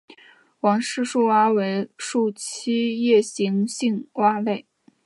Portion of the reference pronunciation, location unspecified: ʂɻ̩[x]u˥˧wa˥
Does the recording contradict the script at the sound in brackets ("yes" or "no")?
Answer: yes